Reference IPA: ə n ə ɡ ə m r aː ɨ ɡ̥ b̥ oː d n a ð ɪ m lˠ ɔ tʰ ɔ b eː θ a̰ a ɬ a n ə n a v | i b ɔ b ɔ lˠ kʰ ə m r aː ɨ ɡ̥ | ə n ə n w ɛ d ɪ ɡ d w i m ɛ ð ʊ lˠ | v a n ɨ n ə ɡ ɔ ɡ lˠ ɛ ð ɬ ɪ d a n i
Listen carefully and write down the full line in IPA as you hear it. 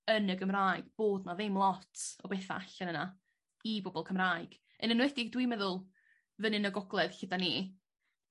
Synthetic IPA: ə n ə ɡ ə m r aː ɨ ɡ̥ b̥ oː d n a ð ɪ m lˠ ɔ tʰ ɔ b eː θ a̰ a ɬ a n ə n a | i b ɔ b ɔ lˠ kʰ ə m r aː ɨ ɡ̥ | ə n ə n w ɛ d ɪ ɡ d w i m ɛ ð ʊ lˠ | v ə n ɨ n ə ɡ ɔ ɡ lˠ ɛ ð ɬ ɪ d a n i